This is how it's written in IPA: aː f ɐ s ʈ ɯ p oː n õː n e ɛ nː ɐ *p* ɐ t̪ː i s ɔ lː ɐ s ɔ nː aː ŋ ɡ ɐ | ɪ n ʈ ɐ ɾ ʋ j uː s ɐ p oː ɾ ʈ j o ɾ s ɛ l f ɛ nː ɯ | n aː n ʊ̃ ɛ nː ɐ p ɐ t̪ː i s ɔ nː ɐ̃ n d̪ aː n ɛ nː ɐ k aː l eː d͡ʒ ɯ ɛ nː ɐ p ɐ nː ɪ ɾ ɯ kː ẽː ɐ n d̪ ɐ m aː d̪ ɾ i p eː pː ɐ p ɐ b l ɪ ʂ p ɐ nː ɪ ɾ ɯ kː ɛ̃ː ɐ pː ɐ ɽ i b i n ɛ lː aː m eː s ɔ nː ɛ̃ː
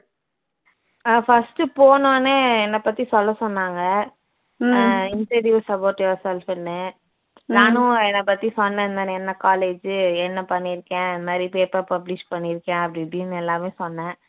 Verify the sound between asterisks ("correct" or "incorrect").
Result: correct